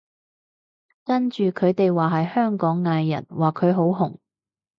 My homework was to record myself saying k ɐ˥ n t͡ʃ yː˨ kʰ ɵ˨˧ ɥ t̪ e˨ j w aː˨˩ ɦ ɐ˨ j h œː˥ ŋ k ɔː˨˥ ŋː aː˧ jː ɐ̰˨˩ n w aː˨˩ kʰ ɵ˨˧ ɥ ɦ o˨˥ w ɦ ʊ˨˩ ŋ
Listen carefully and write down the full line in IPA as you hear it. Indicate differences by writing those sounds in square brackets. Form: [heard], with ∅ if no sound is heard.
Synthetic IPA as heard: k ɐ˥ n t͡ʃ yː˨ kʰ ɵ˨˧ ɥ t̪ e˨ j w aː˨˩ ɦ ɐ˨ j h œː˥ ŋ k ɔː˨˥ ŋː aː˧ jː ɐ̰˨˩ n w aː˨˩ kʰ ɵ˨˧ ɥ ɦ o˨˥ w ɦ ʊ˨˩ ŋ

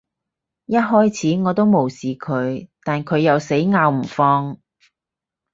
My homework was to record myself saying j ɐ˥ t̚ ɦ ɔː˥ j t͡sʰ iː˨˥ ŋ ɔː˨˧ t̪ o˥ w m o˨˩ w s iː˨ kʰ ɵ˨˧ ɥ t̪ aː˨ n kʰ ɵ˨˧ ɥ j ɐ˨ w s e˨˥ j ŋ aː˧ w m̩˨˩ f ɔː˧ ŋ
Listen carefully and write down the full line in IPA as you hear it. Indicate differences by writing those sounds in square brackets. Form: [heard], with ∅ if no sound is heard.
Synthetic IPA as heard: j ɐ˥ t̚ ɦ ɔː˥ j t͡sʰ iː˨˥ ŋ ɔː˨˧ t̪ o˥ w m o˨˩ w s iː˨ kʰ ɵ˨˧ ɥ t̪ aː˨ n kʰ ɵ˨˧ ɥ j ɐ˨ w s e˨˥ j ŋ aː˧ w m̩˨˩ f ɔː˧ ŋ

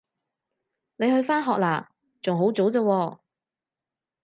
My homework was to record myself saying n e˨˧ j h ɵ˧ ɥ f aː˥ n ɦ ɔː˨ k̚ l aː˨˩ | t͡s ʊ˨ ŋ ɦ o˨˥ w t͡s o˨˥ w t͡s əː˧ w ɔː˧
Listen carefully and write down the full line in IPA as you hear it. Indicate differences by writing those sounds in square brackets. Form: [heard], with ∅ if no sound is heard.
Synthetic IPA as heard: n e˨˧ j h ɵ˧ ɥ f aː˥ n ɦ ɔː˨ k̚ l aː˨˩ | t͡s ʊ˨ ŋ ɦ o˨˥ w t͡s o˨˥ w t͡s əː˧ w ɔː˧

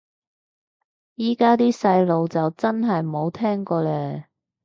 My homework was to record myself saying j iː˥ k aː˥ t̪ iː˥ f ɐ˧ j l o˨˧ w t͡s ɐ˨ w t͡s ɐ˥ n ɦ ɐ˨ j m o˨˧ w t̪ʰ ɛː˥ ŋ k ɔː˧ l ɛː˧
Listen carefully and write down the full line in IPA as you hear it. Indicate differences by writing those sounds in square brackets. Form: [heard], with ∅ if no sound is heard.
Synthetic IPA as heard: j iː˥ k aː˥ t̪ iː˥ [s] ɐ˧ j l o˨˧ w t͡s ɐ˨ w t͡s ɐ˥ n ɦ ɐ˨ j m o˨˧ w t̪ʰ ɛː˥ ŋ k ɔː˧ l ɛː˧

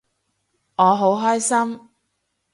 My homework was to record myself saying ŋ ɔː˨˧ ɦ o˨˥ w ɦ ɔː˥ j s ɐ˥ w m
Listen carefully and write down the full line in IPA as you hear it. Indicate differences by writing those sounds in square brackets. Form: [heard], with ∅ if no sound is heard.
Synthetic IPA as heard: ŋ ɔː˨˧ ɦ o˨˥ w ɦ ɔː˥ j s ɐ˥ [∅] m

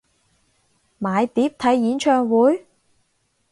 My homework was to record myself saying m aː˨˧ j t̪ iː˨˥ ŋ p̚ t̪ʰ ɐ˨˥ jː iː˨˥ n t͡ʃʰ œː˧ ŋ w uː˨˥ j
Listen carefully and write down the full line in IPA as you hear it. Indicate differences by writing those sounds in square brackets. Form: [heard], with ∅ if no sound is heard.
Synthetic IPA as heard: m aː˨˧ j t̪ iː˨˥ [∅] p̚ t̪ʰ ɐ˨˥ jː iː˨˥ n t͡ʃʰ œː˧ ŋ w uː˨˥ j

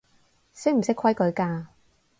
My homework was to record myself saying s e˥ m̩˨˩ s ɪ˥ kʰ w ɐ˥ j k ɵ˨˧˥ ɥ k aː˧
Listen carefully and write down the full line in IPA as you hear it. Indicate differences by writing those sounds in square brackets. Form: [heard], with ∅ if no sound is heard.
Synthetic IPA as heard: s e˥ m̩˨˩ s ɪ˥ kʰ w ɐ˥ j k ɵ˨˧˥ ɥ k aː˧

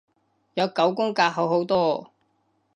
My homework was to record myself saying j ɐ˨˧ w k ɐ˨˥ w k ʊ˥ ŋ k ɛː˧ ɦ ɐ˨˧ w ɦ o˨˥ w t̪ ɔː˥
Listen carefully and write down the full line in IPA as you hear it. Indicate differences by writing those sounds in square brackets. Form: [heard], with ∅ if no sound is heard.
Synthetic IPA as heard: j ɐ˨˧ w k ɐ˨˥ w k ʊ˥ ŋ k [aː˧] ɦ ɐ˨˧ w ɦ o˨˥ w t̪ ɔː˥

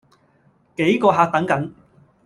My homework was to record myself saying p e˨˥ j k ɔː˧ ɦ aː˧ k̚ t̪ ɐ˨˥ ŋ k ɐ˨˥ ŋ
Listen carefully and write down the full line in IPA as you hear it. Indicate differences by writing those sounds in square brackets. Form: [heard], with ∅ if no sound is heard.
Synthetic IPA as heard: [k] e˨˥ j k ɔː˧ ɦ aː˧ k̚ t̪ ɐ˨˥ ŋ k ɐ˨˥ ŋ

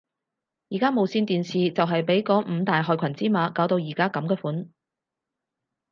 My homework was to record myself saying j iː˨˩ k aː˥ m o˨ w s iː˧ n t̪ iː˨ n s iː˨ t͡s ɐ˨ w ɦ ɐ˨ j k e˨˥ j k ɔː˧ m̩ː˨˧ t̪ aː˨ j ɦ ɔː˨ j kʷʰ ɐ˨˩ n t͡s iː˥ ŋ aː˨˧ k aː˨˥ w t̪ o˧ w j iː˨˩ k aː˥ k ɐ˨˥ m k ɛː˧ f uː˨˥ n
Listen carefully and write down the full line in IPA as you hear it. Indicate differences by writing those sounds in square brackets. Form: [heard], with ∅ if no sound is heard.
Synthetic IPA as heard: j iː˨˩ k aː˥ m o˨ w s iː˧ n t̪ iː˨ n s iː˨ t͡s ɐ˨ w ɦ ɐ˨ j [p] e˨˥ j k [ɔː˨˥] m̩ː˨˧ t̪ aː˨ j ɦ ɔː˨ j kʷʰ ɐ˨˩ n t͡s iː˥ [m] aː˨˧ k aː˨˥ w t̪ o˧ w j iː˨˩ k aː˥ k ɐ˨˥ m k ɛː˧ f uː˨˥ n

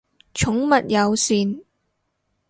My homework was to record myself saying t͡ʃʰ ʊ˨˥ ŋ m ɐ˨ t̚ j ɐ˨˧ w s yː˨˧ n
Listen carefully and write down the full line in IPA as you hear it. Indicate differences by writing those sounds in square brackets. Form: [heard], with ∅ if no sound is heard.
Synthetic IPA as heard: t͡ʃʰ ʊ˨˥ ŋ m ɐ˨ t̚ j ɐ˨˧ w s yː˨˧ n

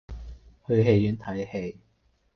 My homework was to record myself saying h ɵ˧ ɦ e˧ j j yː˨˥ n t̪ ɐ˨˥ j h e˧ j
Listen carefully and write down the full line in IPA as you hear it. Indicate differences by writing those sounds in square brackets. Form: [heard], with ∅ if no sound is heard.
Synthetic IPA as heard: h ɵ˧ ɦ e˧ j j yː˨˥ n [t̪ʰ] ɐ˨˥ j h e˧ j

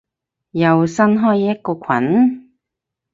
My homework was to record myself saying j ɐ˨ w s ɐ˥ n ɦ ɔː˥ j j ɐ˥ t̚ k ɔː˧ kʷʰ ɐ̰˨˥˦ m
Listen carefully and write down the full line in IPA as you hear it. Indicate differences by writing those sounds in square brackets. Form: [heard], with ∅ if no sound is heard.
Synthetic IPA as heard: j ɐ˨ w s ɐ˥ n ɦ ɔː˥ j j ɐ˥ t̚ k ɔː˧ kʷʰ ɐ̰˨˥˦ [n]

